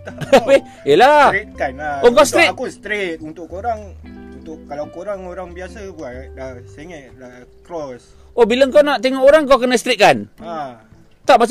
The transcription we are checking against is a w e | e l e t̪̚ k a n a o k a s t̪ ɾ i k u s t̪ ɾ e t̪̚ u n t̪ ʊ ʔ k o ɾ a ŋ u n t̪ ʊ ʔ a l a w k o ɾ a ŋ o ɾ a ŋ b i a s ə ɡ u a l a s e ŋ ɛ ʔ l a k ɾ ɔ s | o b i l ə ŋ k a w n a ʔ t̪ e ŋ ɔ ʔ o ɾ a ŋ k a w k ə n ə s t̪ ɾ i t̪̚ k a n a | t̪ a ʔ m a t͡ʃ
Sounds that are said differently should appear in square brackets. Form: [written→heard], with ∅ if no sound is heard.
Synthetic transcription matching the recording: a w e | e l [e→a] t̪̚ k a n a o k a s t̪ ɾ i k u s t̪ ɾ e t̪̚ u n t̪ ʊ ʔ k o ɾ a ŋ u n t̪ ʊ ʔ a l a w k o ɾ a ŋ o ɾ a ŋ b i a s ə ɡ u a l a s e ŋ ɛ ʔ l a k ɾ ɔ s | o b i l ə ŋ k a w n a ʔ t̪ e ŋ ɔ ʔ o ɾ a ŋ k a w k ə n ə s t̪ ɾ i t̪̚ k a n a | t̪ a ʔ m a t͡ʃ